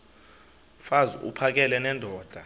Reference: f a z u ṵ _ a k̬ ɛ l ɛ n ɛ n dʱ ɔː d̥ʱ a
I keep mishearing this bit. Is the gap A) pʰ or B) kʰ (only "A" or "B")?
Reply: A